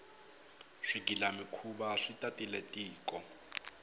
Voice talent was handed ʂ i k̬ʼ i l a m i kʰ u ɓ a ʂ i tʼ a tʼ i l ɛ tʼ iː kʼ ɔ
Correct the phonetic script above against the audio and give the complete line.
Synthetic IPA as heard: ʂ i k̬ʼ i l a m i kʰ u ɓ a ʂ i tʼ a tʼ i l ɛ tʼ iː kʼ ɔ